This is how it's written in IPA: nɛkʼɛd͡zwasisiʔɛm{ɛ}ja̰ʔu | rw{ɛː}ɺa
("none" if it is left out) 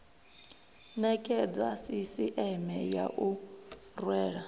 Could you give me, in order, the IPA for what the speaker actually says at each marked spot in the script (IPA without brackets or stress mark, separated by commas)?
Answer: ɛ, ɛː